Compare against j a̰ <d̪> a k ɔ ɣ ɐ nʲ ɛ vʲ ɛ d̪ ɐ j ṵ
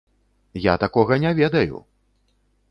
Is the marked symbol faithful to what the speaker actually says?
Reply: no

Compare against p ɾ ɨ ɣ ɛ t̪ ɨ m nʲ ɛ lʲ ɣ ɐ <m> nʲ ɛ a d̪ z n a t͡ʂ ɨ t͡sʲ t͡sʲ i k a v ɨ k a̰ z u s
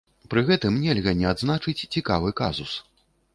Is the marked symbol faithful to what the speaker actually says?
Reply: no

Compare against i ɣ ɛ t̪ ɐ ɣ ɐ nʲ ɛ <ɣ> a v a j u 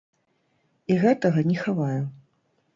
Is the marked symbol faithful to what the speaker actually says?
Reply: no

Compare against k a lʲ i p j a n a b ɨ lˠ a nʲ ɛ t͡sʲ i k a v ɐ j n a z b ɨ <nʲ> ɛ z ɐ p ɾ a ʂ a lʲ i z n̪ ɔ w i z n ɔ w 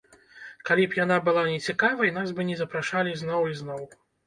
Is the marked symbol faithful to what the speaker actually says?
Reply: yes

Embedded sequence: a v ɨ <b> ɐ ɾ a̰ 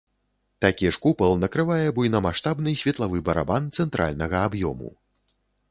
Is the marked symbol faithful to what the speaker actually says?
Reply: yes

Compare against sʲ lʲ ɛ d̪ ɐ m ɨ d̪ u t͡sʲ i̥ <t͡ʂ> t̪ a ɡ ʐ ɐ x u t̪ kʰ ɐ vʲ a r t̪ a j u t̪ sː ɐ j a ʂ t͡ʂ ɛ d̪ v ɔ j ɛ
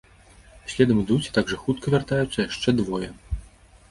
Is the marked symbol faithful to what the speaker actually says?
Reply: no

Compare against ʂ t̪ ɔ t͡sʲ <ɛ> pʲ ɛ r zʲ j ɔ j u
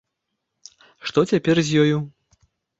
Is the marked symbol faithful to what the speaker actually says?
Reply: no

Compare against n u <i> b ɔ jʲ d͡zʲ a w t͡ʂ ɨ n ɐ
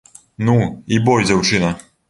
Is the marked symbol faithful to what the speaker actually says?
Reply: yes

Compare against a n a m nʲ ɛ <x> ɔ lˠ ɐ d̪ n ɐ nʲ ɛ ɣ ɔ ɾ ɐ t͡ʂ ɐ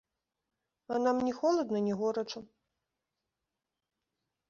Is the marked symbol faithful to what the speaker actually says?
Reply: yes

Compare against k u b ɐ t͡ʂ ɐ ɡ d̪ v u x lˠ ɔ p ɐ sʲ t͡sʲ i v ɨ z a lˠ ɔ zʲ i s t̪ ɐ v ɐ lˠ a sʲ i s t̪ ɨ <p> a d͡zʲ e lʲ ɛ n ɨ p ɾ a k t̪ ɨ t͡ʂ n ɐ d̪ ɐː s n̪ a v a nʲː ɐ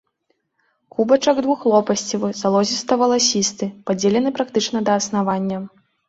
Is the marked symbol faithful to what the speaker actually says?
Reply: yes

